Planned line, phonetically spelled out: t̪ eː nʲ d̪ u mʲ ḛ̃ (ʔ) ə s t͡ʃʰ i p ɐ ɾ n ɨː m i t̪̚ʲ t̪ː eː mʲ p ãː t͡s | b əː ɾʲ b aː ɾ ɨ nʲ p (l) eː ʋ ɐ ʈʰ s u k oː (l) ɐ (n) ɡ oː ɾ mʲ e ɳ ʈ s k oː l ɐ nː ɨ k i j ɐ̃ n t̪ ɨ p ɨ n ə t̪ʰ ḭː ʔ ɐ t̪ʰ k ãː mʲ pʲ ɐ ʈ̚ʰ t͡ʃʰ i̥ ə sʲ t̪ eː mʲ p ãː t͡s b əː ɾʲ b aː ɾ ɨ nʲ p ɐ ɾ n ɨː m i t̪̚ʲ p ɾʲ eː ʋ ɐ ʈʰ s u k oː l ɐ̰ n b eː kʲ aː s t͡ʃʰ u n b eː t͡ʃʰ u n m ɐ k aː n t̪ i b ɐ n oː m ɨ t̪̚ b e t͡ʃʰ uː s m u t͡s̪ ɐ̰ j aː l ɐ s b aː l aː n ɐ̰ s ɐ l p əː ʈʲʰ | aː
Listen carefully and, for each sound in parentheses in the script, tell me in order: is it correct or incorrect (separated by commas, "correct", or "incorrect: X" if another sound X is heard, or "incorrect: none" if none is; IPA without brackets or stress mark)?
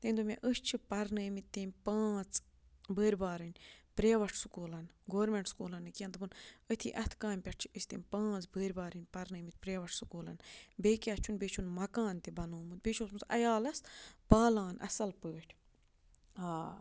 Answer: correct, incorrect: ɾ, correct, correct